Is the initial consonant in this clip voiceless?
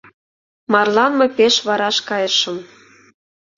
no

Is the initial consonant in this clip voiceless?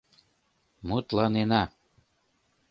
no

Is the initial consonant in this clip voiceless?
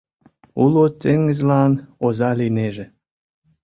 no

